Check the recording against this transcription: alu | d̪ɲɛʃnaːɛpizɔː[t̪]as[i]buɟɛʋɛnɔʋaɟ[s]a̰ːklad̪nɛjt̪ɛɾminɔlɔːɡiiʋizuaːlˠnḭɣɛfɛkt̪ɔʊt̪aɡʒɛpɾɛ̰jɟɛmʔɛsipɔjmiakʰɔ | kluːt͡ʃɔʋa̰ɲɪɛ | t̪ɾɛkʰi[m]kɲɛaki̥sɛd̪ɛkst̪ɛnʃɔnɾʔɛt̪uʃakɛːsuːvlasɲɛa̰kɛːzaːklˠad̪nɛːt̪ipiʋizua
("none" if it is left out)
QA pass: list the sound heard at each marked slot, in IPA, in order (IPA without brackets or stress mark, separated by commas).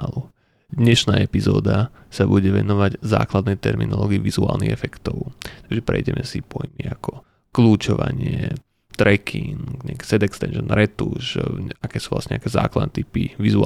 d̪, a, z, ŋ